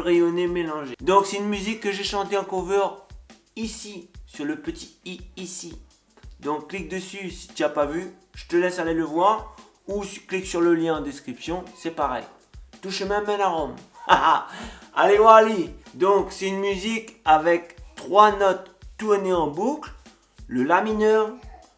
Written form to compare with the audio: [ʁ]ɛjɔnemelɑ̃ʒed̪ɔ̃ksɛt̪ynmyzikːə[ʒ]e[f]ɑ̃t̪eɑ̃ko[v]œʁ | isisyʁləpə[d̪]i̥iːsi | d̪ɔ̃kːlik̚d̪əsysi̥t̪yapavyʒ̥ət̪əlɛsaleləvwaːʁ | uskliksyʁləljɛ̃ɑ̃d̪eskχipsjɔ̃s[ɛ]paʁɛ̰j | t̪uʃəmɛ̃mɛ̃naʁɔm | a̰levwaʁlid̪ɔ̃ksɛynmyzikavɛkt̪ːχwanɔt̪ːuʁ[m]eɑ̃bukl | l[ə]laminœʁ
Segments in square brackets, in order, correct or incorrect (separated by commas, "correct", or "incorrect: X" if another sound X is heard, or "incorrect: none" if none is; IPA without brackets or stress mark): correct, correct, incorrect: ʃ, correct, incorrect: t̪, correct, incorrect: n, correct